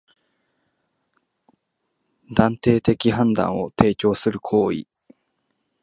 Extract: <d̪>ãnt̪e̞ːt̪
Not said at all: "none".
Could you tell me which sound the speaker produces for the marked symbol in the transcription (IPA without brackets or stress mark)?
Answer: d̪